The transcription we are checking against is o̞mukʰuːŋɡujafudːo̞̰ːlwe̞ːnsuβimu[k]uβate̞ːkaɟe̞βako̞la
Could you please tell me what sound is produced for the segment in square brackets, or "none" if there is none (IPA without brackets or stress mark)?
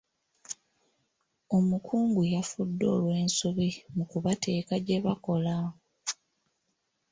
k